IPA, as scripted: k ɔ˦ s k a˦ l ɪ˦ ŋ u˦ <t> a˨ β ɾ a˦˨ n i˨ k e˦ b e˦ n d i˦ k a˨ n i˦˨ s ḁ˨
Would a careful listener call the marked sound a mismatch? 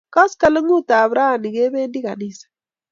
no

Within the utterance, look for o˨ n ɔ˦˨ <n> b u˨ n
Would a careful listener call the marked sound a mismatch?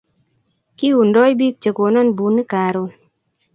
no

